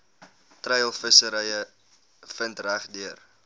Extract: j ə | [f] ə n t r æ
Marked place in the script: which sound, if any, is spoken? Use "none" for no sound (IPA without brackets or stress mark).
f